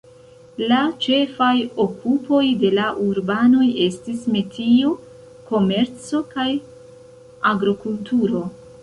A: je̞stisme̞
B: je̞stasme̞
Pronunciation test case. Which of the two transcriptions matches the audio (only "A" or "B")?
A